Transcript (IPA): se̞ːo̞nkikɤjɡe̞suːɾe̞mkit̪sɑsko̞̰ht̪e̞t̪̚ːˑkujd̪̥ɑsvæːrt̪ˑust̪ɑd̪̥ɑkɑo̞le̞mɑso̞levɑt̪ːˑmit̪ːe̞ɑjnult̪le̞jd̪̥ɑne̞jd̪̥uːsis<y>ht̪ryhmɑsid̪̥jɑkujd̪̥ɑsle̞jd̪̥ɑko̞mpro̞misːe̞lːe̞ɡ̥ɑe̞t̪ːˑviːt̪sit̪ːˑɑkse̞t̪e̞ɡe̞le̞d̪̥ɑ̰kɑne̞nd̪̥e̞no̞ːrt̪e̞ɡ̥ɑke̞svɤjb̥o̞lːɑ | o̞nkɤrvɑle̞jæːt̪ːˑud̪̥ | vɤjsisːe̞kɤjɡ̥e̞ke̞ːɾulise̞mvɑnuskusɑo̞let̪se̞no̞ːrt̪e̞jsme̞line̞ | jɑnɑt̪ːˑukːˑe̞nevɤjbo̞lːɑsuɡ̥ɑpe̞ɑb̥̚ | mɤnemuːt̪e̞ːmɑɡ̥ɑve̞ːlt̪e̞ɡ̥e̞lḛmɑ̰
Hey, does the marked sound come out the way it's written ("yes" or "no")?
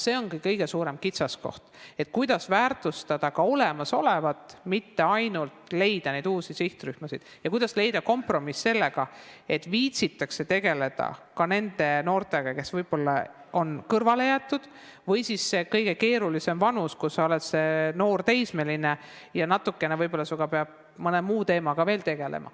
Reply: no